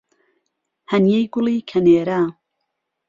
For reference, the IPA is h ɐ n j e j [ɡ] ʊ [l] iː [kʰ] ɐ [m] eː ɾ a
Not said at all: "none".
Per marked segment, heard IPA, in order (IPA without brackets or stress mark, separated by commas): ɡ, l, kʰ, n